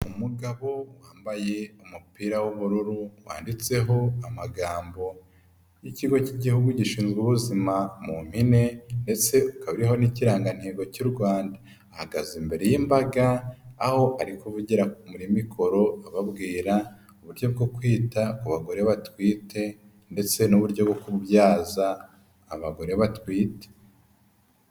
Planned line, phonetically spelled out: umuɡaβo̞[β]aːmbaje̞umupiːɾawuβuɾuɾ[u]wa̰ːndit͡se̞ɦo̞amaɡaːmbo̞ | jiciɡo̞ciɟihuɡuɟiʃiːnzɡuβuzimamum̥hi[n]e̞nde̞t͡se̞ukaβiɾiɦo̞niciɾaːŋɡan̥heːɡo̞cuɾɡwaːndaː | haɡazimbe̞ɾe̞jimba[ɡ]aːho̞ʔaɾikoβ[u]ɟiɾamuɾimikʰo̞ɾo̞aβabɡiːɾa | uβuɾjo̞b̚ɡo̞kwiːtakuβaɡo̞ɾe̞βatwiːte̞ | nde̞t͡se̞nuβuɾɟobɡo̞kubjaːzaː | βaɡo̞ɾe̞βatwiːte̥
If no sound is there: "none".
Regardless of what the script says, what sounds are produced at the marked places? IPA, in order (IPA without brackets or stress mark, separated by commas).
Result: w, u, n, ɡ, u